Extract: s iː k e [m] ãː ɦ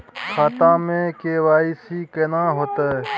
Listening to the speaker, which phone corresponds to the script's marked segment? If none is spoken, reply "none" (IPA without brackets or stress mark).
n